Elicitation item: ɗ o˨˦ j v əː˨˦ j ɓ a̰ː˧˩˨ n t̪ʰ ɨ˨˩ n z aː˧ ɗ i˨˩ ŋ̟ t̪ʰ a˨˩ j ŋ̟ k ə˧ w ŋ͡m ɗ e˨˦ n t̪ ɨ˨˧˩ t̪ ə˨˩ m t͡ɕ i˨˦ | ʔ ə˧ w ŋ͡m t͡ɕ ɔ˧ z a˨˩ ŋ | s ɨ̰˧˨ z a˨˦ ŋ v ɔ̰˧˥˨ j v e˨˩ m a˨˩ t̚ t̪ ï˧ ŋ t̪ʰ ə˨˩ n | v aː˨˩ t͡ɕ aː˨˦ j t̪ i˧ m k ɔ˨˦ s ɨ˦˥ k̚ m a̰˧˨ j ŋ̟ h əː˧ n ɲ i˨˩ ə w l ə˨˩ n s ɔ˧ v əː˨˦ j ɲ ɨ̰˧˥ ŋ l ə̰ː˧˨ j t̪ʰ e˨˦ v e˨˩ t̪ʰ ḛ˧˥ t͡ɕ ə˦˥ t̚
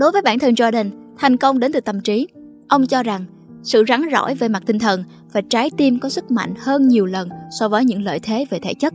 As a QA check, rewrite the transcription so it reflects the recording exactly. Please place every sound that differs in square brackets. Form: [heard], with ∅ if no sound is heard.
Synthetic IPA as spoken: ɗ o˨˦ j v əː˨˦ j ɓ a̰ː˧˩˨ n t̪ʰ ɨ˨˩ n z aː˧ ɗ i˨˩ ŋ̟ t̪ʰ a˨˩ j ŋ̟ k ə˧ w ŋ͡m ɗ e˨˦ n t̪ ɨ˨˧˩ t̪ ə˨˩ m t͡ɕ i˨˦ | ʔ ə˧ w ŋ͡m t͡ɕ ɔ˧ z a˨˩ ŋ | s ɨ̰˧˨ z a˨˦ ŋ [z] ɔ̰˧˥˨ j v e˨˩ m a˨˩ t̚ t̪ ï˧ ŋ t̪ʰ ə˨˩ n | v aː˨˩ t͡ɕ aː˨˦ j t̪ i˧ m k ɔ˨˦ s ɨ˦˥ k̚ m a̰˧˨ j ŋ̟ h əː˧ n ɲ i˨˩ ə w l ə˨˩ n s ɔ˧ v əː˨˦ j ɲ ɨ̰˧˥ ŋ l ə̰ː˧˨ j t̪ʰ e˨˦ v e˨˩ t̪ʰ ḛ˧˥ t͡ɕ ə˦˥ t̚